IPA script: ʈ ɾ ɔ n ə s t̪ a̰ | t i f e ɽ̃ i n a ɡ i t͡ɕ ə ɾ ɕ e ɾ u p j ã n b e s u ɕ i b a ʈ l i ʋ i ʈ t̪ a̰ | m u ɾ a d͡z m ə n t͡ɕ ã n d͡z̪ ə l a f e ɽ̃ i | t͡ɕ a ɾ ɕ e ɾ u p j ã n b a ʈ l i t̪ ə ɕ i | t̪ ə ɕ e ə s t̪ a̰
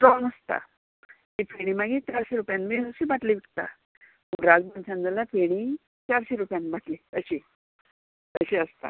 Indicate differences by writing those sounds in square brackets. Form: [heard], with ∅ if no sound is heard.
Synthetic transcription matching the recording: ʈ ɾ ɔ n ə s t̪ a̰ | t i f e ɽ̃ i [m] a ɡ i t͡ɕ [a] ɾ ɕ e ɾ u p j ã n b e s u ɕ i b a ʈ l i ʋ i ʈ t̪ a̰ | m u ɾ a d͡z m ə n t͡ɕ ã n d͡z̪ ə l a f e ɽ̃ i | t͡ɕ a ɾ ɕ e ɾ u p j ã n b a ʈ l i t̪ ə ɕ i | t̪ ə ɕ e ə s t̪ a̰